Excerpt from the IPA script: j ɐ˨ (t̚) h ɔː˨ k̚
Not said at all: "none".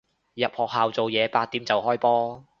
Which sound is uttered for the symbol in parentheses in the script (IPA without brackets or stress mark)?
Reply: p̚